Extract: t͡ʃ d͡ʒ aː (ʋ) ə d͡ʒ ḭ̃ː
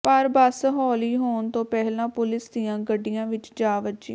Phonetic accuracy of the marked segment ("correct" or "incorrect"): correct